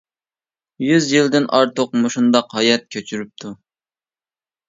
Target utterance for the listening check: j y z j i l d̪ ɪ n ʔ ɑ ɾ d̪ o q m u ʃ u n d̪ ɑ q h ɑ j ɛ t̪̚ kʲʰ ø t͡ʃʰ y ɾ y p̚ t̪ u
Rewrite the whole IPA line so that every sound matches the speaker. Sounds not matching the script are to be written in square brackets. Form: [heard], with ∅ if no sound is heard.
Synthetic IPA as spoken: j y z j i l d̪ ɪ n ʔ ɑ ɾ [t̪] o q m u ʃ u n d̪ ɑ q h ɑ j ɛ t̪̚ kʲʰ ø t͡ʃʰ y ɾ y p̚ [t̪ʰ] u